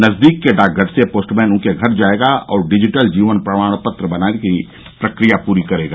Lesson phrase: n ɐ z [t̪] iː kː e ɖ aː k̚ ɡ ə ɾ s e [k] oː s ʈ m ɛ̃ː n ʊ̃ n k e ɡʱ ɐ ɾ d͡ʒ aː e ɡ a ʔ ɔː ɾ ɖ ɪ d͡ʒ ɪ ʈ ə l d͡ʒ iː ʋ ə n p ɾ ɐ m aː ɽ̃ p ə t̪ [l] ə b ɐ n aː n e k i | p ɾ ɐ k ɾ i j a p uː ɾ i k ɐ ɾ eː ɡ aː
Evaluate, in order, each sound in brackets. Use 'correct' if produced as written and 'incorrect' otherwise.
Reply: incorrect, incorrect, incorrect

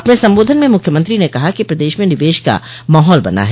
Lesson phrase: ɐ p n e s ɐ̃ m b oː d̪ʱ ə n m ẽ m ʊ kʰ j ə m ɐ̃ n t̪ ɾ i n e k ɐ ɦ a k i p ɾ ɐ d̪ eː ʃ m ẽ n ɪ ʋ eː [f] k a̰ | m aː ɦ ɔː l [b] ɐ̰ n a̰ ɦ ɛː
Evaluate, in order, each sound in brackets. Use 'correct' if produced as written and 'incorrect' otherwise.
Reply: incorrect, correct

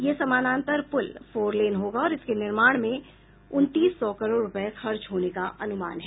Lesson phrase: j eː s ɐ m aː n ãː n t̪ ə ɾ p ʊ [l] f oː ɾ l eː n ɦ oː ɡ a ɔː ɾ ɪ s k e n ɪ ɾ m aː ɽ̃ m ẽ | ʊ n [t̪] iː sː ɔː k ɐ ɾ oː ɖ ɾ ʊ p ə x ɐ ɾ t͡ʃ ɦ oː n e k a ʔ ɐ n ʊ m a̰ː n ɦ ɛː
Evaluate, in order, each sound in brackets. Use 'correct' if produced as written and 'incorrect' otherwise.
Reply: correct, correct

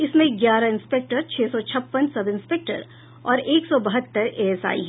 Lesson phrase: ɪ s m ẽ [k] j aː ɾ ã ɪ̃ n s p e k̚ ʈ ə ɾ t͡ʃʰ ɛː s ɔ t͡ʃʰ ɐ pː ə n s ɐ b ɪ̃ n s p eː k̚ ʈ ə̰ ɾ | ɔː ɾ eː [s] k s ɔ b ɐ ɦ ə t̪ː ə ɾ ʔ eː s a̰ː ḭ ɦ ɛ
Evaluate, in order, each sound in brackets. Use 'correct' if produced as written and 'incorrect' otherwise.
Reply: incorrect, incorrect

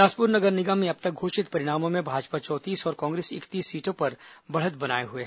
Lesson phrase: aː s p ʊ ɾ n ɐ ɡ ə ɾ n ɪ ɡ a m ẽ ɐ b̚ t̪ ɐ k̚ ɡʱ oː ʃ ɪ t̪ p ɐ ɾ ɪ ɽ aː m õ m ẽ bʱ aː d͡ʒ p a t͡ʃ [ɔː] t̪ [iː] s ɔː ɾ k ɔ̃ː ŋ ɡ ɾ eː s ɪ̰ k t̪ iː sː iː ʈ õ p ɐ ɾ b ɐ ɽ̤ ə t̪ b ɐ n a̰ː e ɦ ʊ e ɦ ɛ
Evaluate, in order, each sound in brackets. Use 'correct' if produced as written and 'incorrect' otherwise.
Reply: correct, correct

